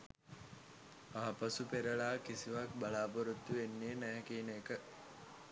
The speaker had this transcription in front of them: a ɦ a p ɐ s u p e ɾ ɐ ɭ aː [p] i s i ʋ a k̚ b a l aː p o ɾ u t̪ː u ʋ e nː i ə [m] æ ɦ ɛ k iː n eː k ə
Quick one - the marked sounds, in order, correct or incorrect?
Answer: incorrect: k, incorrect: n

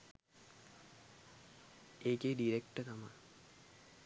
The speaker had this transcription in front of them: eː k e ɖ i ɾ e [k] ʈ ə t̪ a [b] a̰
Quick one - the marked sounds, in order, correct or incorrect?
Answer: correct, incorrect: m

